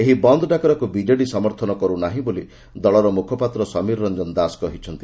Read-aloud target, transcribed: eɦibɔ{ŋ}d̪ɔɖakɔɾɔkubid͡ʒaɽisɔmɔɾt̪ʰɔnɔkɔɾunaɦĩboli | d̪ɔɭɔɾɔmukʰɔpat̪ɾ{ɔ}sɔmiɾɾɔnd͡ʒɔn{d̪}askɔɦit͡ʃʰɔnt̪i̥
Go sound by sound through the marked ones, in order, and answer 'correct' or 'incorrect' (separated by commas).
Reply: incorrect, correct, correct